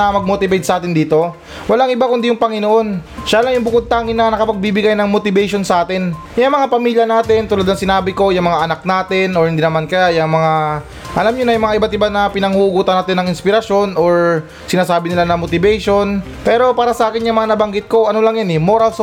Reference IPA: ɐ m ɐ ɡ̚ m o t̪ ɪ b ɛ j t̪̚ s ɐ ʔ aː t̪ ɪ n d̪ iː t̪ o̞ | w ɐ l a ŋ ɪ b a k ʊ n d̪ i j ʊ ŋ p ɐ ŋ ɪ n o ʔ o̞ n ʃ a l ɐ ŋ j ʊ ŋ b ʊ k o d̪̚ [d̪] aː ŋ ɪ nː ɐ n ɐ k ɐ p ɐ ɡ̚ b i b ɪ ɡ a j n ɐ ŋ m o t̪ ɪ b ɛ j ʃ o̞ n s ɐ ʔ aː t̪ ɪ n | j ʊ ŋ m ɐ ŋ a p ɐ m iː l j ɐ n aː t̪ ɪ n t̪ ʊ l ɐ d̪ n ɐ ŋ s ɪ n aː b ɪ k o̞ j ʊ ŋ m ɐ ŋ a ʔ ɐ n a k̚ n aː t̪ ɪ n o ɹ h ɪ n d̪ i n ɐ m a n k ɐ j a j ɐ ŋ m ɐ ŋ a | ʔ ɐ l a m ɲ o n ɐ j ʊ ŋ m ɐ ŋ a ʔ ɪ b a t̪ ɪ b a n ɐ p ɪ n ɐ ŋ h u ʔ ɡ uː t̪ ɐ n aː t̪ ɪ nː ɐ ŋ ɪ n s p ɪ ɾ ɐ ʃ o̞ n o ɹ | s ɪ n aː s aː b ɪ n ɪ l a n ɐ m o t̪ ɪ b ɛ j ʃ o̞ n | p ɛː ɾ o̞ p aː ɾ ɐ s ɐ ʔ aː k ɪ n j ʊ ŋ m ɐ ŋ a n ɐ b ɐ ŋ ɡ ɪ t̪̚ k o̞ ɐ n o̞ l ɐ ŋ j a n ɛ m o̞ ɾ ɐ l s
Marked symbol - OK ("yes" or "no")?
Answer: no